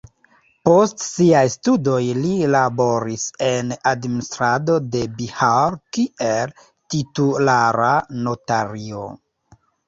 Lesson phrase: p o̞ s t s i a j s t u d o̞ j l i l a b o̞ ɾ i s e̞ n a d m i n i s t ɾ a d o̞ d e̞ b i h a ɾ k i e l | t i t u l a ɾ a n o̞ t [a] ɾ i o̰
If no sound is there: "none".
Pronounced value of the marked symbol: a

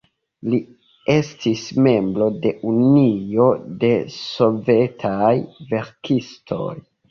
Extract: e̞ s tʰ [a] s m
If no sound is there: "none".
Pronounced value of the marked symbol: i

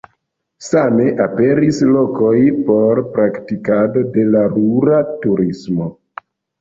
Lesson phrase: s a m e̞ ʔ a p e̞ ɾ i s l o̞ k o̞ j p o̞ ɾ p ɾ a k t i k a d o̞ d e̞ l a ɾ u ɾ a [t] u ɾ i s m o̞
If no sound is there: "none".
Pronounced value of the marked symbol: t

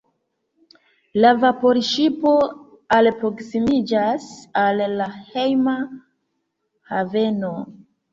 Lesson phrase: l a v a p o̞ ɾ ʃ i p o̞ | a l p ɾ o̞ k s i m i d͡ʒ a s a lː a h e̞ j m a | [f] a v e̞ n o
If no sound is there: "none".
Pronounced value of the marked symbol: h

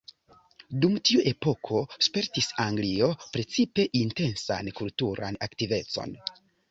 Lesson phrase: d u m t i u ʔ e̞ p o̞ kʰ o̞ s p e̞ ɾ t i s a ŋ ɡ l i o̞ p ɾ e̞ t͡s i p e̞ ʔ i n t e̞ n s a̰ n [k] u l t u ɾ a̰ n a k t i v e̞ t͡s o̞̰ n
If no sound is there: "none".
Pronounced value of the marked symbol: k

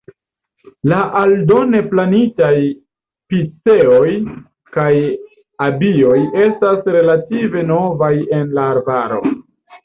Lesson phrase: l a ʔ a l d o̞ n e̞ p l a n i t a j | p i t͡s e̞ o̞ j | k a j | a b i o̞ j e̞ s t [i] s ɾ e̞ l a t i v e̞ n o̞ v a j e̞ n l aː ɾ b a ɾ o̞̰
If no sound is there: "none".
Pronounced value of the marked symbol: a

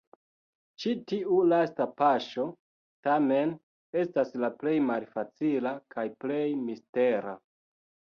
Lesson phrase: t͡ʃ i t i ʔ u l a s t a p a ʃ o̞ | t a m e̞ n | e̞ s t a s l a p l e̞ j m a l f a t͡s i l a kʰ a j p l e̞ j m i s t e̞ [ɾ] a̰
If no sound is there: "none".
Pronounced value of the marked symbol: ɾ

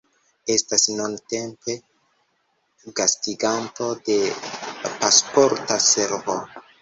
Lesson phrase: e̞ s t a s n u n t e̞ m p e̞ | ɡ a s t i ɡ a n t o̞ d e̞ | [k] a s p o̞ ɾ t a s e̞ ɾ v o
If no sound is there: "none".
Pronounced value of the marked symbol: p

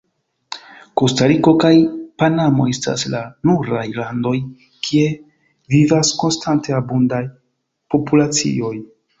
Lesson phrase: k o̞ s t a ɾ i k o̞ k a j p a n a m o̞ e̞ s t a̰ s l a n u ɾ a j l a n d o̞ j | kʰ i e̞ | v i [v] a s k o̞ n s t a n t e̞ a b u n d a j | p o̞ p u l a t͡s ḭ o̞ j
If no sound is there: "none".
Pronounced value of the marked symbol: v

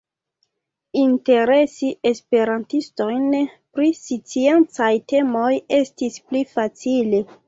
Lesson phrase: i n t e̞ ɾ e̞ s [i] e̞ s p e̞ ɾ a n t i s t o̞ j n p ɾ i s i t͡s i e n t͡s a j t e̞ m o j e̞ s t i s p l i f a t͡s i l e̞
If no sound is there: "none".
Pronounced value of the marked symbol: i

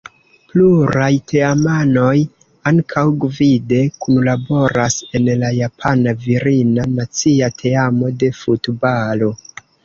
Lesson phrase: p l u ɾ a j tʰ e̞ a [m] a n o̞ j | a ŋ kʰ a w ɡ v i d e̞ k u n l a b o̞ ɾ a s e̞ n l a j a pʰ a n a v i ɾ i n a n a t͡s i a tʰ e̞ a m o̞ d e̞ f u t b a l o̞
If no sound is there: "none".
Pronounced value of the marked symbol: m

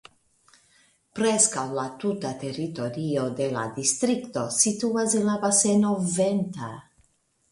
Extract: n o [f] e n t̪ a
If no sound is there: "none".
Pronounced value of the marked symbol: v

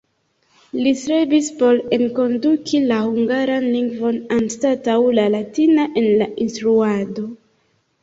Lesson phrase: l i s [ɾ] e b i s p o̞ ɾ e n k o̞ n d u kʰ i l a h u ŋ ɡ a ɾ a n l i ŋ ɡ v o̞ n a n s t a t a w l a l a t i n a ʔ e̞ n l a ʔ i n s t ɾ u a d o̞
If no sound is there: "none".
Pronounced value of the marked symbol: ɾ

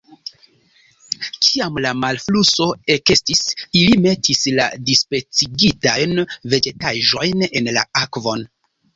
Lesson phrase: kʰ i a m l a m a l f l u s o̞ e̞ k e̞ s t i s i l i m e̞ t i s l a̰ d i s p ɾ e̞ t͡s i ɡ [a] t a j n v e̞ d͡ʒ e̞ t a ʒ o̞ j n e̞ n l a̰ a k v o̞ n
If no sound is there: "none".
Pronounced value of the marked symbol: i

